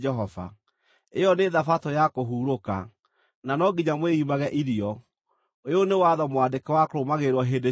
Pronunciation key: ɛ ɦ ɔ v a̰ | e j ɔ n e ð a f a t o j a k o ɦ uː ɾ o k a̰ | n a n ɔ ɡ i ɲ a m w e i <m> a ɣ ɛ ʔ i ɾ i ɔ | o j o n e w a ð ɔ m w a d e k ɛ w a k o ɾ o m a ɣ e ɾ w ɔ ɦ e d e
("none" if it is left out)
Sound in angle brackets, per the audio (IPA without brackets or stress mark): m